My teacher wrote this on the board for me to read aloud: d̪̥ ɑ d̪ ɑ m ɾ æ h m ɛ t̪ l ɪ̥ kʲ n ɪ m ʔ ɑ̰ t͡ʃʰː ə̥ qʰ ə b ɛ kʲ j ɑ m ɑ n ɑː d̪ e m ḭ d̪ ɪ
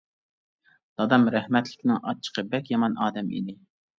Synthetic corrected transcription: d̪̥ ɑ d̪ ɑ m ɾ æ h m ɛ t̪ l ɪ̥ kʲ n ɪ ŋ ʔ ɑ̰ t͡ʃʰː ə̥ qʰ ə b ɛ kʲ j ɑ m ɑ n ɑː d̪ ɛ m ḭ d̪ ɪ